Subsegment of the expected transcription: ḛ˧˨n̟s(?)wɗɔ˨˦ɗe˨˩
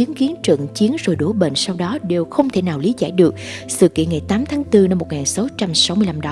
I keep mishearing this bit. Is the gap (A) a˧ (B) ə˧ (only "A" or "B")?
A